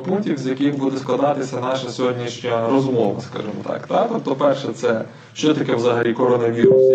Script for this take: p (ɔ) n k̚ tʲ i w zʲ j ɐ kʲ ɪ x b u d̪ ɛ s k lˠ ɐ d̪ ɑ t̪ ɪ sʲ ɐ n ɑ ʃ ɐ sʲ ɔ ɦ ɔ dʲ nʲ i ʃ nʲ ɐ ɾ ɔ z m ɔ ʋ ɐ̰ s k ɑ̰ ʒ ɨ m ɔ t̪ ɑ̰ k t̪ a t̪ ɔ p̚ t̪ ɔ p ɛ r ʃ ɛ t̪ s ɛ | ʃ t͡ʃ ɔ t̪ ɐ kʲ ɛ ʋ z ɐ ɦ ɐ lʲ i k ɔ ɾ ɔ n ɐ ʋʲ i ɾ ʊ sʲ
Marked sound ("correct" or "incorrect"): incorrect